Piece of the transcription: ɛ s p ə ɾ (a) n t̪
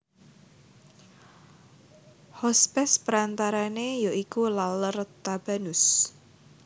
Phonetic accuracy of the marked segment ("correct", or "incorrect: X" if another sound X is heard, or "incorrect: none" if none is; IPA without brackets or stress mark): correct